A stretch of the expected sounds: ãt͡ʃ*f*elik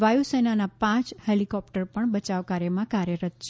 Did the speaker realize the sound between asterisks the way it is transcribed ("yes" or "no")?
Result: no